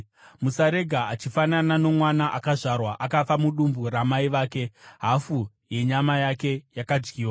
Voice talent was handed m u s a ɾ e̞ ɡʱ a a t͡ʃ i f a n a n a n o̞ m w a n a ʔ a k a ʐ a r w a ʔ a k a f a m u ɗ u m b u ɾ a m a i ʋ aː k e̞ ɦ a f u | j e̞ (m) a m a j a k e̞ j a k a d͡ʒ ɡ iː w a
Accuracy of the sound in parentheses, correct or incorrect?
incorrect